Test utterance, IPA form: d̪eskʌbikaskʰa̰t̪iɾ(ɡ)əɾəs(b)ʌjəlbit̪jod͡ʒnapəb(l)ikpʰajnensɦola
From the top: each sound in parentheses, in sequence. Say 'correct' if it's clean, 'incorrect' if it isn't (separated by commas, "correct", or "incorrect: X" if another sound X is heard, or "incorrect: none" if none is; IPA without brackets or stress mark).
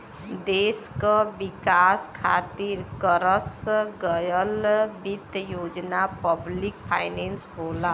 incorrect: k, incorrect: ɡ, correct